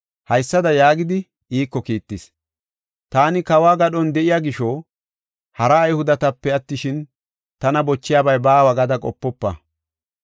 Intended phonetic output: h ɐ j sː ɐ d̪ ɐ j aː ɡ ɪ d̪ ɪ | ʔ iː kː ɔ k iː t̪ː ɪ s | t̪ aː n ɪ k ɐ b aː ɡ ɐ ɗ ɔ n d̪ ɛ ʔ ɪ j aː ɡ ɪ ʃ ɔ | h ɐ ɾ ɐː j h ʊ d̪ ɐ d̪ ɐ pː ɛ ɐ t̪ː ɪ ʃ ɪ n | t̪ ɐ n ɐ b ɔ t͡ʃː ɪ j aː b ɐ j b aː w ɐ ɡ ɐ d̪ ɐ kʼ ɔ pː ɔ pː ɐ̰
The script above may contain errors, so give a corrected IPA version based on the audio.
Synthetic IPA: h ɐ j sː ɐ d̪ ɐ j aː ɡ ɪ d̪ ɪ | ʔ iː kː ɔ k iː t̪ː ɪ s | t̪ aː n ɪ k ɐ w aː ɡ ɐ ɗ ɔ n d̪ ɛ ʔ ɪ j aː ɡ ɪ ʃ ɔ | h ɐ ɾ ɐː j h ʊ d̪ ɐ t̪ ɐ pː ɛ ɐ t̪ː ɪ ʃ ɪ n | t̪ ɐ n ɐ b ɔ t͡ʃː ɪ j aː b ɐ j b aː w ɐ ɡ ɐ d̪ ɐ kʼ ɔ pː ɔ pː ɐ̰